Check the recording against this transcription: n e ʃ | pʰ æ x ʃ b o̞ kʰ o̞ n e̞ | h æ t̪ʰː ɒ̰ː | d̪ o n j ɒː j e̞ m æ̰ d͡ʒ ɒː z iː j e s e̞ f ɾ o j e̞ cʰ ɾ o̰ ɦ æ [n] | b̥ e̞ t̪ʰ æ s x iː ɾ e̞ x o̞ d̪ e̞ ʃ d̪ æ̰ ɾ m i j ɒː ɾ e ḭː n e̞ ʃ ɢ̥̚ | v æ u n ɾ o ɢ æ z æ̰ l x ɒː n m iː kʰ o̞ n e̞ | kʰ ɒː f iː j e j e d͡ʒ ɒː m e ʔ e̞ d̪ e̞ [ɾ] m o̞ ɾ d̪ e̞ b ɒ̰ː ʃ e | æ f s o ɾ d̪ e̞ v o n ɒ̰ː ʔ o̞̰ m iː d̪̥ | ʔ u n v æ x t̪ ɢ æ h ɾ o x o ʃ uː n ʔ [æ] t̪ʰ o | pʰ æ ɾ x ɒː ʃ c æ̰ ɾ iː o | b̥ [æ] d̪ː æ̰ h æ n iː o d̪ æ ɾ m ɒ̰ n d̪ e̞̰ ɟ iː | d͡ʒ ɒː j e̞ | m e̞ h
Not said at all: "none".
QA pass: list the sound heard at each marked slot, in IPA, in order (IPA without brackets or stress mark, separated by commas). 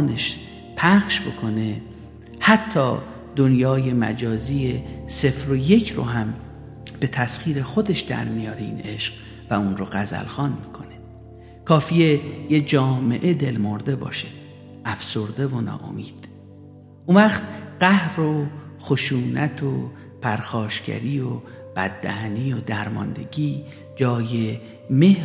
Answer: m, l, æ, æ